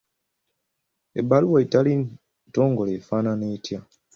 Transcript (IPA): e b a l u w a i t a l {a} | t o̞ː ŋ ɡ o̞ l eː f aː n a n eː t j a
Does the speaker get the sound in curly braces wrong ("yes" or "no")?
yes